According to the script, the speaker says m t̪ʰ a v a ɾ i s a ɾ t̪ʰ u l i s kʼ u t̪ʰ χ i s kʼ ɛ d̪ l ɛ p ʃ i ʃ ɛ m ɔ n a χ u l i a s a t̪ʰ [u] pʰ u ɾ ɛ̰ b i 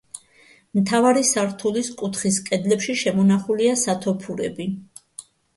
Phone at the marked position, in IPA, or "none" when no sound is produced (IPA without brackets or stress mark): ɔ